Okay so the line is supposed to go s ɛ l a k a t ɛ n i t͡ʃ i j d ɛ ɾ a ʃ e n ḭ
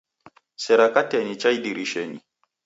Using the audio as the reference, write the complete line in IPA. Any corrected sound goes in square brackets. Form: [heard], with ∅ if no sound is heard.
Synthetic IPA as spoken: s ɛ [ɾ] a k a t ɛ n i t͡ʃ [a] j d [i] ɾ [i] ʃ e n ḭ